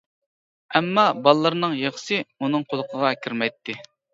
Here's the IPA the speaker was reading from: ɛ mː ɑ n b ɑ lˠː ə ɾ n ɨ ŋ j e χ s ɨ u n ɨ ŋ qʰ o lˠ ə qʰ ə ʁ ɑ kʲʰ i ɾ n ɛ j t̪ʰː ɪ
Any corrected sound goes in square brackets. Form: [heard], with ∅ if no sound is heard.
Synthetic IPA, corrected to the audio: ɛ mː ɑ [∅] b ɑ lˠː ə ɾ n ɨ ŋ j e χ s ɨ u n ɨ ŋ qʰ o lˠ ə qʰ ə ʁ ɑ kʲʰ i ɾ [m] ɛ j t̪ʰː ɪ